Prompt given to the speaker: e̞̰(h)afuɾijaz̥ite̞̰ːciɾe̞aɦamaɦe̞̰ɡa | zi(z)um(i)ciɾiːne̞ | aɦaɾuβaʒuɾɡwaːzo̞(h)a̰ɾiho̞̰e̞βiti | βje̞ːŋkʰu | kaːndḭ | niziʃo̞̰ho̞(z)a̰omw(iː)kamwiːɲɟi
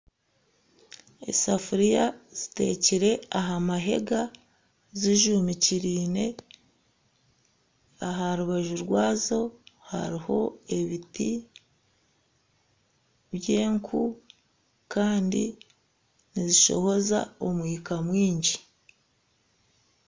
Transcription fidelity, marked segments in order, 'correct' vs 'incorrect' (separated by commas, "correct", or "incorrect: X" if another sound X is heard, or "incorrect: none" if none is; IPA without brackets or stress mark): incorrect: s, incorrect: ʒ, correct, correct, correct, correct